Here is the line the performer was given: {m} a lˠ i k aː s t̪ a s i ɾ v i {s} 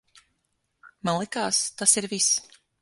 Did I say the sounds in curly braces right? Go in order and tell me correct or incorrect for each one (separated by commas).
correct, correct